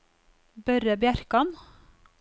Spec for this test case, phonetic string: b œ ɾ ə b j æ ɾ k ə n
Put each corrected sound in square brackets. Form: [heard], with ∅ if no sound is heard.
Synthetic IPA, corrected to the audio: b œ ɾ ə b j æ ɾ k [ɑ] n

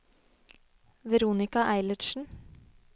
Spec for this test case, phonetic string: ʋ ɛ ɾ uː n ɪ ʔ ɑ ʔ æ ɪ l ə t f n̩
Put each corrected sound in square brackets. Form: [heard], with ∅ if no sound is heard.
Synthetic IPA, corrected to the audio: ʋ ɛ ɾ uː n ɪ [k] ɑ ʔ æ ɪ l ə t [ʃ] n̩

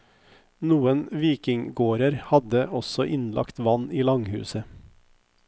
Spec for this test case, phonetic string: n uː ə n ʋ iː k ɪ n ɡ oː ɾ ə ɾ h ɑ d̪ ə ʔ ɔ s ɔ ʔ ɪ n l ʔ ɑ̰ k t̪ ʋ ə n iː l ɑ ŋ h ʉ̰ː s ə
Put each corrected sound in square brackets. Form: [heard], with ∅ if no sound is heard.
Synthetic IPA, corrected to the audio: n uː ə n ʋ iː k ɪ [ŋ] ɡ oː ɾ ə ɾ h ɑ d̪ ə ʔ ɔ s ɔ ʔ ɪ n l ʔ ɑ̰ k t̪ ʋ [ɑ] n iː l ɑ ŋ h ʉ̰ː s ə

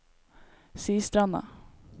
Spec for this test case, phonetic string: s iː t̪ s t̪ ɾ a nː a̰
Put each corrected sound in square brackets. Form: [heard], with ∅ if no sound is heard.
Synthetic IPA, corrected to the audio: s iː [∅] s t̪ ɾ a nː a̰

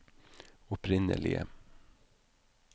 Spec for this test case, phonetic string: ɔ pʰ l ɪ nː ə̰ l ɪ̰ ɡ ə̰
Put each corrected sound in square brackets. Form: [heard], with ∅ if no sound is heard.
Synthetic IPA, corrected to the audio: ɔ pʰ [ɾ] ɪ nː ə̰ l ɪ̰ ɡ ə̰

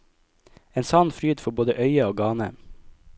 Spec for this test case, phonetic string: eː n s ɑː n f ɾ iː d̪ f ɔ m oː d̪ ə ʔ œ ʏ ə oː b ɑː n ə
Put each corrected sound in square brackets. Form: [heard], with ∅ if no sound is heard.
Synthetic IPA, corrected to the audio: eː n s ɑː n f ɾ [yː] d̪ f ɔ [b] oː d̪ ə ʔ œ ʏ ə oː [ɡ] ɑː n ə

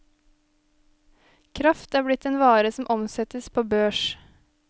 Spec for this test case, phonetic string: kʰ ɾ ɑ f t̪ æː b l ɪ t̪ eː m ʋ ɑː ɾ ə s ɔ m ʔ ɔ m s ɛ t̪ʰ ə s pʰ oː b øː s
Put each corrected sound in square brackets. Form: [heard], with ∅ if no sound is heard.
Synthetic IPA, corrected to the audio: kʰ ɾ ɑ f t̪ æː b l ɪ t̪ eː [n] ʋ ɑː ɾ ə s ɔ m ʔ ɔ m s ɛ [t̪] ə s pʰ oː b øː [ʃ]

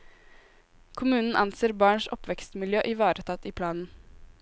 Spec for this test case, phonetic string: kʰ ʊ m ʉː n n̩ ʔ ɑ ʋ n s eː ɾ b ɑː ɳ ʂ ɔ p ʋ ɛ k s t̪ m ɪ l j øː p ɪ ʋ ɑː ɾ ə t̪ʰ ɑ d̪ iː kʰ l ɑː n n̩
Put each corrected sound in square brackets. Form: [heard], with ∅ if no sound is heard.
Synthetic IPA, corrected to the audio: kʰ ʊ m ʉː n n̩ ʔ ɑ [∅] n s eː ɾ b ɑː ɳ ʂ ɔ p ʋ ɛ k s t̪ m ɪ l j øː [ʔ] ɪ ʋ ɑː ɾ ə t̪ʰ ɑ [t̪] iː [pʰ] l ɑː n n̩

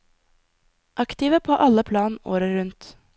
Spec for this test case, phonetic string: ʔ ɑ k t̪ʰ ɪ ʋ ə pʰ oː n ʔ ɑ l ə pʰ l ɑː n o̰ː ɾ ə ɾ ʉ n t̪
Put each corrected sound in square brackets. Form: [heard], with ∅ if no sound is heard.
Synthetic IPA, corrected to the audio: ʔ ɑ k [t̪] ɪ ʋ ə pʰ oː [∅] ʔ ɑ l ə pʰ l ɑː n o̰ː ɾ ə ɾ ʉ n t̪

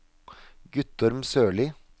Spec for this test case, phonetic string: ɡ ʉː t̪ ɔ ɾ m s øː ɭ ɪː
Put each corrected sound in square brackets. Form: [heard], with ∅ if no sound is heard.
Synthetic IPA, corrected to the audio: ɡ [ʉ] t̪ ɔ ɾ m s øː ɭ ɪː

